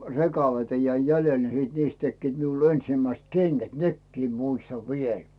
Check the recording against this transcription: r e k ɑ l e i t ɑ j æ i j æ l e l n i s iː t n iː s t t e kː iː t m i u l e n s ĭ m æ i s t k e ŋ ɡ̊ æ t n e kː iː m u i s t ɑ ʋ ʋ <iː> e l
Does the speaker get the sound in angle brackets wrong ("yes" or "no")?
yes